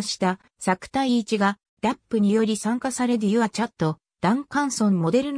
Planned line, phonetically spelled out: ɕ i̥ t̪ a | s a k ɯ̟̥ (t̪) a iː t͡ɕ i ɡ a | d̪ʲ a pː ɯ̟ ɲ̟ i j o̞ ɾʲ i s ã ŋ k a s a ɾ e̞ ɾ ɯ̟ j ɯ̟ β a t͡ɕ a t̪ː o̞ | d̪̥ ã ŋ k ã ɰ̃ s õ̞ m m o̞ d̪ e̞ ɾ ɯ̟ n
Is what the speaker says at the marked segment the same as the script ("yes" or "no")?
yes